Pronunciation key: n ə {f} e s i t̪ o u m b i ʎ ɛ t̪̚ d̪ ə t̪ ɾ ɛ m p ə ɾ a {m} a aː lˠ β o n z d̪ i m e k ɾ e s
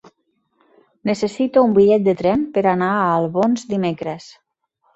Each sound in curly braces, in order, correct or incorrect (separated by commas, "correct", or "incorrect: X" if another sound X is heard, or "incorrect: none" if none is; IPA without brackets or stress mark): incorrect: s, incorrect: n